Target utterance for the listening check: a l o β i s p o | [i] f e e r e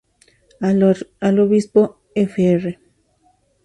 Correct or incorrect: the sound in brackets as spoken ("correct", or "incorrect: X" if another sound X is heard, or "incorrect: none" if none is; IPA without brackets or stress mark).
incorrect: e